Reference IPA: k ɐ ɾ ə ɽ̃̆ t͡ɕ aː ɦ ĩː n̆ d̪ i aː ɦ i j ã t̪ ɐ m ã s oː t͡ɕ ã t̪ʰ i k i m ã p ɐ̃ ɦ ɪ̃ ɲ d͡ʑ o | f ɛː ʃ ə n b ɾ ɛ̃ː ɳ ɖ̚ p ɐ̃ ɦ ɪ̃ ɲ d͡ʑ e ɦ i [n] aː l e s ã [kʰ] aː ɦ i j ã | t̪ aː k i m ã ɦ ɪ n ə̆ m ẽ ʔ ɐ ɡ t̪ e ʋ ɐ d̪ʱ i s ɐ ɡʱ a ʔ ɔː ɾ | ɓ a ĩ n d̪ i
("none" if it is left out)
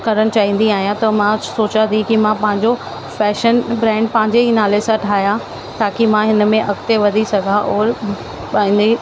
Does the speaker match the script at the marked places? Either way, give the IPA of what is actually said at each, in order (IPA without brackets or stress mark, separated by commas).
n, ʈʰ